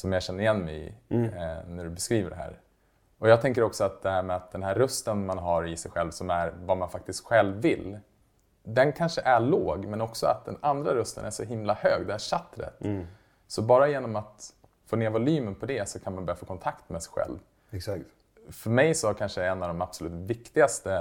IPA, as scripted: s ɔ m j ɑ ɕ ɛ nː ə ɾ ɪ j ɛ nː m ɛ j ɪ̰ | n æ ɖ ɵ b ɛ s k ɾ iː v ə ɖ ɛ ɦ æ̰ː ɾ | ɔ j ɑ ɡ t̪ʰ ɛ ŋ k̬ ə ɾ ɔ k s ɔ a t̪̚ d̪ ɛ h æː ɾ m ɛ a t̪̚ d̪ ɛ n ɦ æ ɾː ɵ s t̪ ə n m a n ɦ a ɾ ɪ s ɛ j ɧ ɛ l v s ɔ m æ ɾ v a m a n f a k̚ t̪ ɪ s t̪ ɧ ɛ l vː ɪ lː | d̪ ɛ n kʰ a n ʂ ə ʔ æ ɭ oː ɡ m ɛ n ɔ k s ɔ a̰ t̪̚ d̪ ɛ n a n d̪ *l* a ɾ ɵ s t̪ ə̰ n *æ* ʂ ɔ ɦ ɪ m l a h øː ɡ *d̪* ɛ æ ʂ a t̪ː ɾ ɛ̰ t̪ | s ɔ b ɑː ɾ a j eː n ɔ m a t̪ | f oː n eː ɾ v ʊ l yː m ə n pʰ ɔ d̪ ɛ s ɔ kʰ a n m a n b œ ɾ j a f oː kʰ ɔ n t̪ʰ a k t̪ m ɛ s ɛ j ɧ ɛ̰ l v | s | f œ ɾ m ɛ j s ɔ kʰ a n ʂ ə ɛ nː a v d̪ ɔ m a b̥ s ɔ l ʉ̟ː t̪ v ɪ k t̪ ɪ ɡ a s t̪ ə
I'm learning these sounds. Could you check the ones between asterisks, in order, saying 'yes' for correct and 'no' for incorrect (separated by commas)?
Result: no, yes, yes